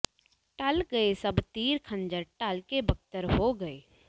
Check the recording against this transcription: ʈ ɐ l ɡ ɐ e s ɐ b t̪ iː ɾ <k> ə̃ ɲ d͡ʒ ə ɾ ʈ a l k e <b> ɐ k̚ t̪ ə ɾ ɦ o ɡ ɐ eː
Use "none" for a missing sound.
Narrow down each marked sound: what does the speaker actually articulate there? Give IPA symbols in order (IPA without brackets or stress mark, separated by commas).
kʰ, b